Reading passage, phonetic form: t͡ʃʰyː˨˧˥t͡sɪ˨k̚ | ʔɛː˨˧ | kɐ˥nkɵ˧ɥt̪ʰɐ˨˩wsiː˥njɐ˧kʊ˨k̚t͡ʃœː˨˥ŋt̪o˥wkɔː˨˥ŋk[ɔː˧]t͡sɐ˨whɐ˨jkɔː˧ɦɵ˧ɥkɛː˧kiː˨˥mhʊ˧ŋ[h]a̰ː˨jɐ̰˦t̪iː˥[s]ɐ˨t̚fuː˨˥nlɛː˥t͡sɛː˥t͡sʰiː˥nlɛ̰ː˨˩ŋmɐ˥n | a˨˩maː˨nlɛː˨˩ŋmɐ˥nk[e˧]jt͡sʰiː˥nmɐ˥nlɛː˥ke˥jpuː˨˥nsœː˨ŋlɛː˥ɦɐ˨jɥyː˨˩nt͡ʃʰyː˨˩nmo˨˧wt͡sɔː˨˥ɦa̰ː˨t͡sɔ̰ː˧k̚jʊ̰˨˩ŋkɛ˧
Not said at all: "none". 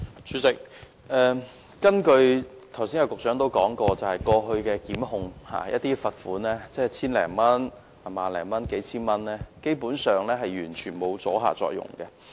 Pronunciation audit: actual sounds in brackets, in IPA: ɔː˧, h, f, e˨˥

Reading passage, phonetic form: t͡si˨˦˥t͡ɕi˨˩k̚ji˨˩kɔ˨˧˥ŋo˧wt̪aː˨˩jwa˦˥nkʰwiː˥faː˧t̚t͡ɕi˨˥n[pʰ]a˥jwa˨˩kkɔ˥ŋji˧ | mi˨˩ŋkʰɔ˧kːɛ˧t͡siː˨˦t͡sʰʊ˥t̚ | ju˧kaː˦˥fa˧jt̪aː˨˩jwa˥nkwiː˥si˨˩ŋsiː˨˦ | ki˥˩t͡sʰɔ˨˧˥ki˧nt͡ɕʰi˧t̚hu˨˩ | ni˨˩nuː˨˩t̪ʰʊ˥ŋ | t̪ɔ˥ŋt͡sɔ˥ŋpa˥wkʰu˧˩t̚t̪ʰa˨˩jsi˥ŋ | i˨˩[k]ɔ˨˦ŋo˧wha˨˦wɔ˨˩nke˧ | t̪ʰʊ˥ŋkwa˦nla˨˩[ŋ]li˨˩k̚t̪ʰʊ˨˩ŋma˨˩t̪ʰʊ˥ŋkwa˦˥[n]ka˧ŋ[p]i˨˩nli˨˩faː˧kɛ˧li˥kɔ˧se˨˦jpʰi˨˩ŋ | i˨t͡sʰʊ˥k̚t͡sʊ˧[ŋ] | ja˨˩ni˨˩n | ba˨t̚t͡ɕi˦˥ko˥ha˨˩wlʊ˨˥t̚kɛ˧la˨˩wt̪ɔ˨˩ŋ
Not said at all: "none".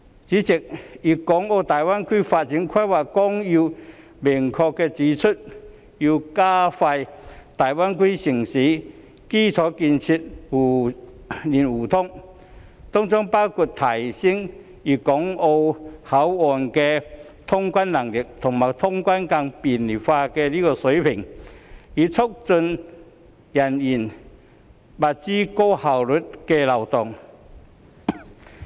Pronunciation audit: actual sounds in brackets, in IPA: kʰ, k, ŋ, n, p, n

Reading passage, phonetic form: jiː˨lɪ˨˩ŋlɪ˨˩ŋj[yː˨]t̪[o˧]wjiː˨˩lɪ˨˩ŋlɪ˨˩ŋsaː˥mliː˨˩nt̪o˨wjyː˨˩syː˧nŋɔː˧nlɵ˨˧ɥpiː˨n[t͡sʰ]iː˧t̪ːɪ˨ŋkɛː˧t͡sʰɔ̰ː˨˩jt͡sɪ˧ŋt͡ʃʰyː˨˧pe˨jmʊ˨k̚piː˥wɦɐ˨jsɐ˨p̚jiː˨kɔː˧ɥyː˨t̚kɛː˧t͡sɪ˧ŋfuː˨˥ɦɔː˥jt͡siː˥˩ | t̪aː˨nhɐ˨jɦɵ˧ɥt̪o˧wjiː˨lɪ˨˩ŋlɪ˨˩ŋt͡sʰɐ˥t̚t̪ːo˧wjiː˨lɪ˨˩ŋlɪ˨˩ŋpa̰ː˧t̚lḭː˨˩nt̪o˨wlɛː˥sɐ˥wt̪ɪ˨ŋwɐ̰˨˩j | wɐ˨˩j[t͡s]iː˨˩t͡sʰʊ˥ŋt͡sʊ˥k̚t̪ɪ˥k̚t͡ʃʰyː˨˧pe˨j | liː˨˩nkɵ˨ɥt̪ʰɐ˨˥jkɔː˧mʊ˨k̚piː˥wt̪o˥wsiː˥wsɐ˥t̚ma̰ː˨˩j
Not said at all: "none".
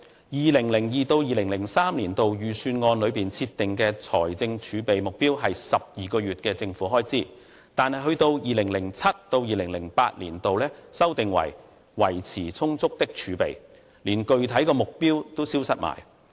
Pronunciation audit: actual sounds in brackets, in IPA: iː˨, o˧, t͡sʰ, t͡sʰ

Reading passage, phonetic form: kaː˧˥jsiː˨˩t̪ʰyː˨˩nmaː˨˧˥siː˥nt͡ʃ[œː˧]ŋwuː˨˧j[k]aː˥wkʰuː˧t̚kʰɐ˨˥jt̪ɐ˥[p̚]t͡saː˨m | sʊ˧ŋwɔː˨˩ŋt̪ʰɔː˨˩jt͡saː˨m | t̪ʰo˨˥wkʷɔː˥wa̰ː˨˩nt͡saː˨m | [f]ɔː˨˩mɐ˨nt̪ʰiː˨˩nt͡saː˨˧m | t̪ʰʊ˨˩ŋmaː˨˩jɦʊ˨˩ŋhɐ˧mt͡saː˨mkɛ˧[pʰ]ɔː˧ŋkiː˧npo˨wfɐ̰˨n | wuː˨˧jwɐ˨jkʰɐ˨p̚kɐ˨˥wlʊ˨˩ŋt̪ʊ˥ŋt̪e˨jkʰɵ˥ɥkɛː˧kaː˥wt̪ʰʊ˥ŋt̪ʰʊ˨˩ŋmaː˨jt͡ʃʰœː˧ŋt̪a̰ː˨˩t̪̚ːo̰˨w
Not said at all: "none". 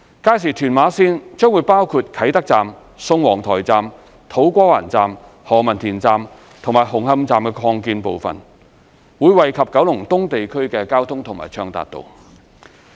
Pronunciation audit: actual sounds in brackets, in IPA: œː˥, p, k̚, h, kʰ

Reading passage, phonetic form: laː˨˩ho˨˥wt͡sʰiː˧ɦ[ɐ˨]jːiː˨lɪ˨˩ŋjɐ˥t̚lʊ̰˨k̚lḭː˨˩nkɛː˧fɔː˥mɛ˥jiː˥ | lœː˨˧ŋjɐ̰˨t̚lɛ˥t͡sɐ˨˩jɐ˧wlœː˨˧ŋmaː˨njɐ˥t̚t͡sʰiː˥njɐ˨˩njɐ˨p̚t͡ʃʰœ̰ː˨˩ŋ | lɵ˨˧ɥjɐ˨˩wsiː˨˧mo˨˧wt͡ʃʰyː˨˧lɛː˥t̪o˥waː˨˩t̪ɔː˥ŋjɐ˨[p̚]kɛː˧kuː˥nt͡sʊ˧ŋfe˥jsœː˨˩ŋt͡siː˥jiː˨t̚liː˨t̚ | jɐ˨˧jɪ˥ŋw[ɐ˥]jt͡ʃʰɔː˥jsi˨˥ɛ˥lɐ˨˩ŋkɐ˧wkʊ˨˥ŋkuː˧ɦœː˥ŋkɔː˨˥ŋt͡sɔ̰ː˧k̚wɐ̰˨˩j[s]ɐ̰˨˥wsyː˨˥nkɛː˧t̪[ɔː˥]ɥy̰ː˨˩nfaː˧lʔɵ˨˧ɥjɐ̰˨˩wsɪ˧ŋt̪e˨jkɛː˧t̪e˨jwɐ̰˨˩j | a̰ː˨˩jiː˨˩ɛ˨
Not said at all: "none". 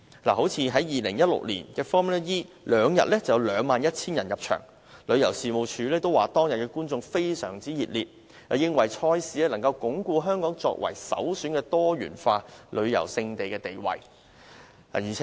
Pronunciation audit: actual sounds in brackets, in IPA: ɐ˨˥, t̚, ɐ˨, s, ɔː˥

